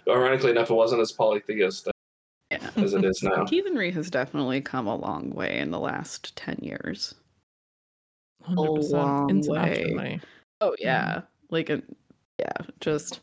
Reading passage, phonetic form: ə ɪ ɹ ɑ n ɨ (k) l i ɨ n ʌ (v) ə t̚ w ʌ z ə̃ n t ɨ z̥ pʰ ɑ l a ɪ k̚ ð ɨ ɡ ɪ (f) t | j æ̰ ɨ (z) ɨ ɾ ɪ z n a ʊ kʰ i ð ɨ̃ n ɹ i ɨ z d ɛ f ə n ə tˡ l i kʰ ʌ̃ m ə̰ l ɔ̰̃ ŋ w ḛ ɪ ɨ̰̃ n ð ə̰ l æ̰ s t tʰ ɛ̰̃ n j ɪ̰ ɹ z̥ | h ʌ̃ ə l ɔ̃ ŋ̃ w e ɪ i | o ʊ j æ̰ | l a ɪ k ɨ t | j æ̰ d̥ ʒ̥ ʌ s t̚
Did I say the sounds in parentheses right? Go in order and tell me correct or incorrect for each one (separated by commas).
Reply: correct, incorrect, incorrect, correct